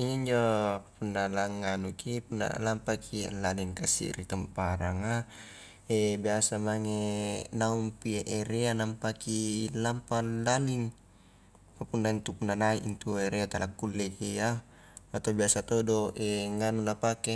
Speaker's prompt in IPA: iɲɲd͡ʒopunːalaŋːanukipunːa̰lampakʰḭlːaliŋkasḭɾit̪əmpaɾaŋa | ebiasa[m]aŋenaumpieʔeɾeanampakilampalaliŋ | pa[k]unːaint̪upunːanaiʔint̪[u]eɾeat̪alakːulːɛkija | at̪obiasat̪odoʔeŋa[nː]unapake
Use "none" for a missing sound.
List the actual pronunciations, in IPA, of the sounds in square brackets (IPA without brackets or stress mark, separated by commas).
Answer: m, p, u, n